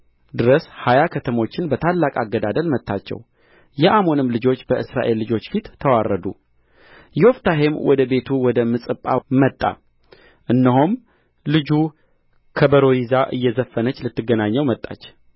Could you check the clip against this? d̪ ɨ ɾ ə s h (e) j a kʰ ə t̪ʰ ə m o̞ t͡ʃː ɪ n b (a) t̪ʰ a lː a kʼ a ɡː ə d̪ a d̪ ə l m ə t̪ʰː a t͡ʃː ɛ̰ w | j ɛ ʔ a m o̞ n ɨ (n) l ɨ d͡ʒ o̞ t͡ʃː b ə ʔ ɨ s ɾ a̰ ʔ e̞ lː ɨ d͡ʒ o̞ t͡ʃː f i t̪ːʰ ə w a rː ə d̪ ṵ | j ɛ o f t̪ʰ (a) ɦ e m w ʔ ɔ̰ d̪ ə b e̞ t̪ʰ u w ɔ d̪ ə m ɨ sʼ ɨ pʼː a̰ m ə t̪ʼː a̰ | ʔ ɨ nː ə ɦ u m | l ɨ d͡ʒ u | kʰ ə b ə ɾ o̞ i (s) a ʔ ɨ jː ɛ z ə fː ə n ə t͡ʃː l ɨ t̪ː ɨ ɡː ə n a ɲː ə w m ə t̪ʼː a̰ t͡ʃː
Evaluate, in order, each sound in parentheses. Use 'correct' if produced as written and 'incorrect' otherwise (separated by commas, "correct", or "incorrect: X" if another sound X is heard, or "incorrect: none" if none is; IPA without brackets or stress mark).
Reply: incorrect: a, incorrect: ə, incorrect: m, correct, incorrect: z